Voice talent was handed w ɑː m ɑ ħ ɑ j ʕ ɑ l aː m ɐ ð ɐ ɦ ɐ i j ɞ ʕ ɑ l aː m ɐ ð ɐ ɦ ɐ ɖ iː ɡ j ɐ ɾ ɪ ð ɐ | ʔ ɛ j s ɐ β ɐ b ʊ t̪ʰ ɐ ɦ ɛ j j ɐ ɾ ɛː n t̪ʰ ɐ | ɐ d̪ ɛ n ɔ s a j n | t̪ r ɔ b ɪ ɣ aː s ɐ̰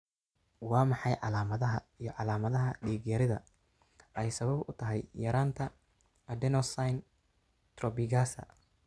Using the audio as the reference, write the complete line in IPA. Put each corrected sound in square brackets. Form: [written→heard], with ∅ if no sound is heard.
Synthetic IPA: w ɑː m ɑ ħ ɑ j ʕ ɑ l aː m ɐ ð ɐ ɦ ɐ i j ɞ ʕ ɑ l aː m ɐ ð ɐ ɦ ɐ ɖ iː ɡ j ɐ ɾ ɪ ð ɐ | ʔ ɛ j s ɐ β ɐ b ʊ t̪ʰ ɐ ɦ ɛ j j ɐ ɾ [ɛː→aː] n t̪ʰ ɐ | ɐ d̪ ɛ n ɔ s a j n | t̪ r ɔ b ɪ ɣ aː s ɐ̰